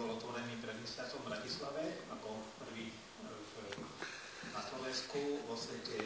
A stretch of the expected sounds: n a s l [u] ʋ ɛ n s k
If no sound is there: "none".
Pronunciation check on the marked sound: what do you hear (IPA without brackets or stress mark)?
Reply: ɔ